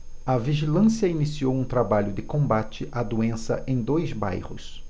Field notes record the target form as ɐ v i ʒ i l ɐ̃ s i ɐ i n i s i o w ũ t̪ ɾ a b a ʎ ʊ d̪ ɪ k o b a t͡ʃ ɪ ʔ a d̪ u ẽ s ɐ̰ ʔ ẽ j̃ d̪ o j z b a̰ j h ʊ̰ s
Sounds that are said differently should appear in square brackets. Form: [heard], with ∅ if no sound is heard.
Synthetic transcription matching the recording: ɐ v i ʒ i l ɐ̃ s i ɐ i n i s i o w ũ t̪ ɾ a b a ʎ ʊ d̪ ɪ k [õ] b a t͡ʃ ɪ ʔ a d̪ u ẽ s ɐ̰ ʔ ẽ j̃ d̪ o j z b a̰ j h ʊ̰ s